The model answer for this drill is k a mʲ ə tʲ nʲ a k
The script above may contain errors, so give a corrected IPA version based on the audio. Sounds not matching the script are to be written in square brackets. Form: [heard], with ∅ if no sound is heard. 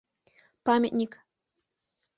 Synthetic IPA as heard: [p] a mʲ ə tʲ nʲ [i] k